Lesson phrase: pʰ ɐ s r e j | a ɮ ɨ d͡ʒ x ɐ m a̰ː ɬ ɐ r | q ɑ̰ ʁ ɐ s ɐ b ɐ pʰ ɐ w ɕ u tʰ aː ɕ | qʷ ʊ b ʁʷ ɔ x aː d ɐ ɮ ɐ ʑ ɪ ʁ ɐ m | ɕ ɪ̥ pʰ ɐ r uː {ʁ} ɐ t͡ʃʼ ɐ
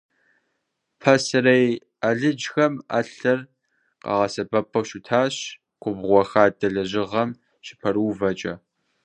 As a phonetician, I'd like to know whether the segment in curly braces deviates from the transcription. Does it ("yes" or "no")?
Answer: yes